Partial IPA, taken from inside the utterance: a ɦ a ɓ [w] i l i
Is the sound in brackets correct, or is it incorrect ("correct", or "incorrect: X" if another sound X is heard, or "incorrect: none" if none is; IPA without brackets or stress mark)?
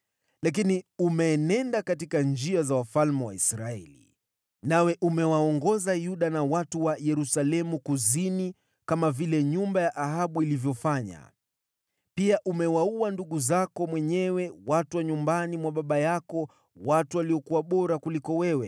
incorrect: u